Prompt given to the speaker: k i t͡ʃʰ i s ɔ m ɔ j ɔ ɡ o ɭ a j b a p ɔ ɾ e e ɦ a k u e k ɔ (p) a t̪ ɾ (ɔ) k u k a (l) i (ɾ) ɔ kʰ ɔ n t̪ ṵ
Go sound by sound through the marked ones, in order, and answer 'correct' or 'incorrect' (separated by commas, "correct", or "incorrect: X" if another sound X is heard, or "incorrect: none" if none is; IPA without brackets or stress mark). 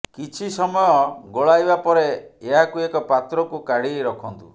correct, correct, incorrect: ɽ, correct